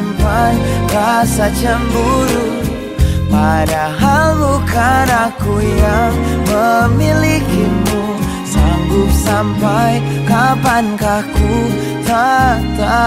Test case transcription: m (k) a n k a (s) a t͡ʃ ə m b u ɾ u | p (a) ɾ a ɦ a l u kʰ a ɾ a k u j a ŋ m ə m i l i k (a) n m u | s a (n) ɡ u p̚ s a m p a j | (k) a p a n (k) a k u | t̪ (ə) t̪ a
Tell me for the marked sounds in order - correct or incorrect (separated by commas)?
incorrect, correct, correct, incorrect, incorrect, correct, correct, incorrect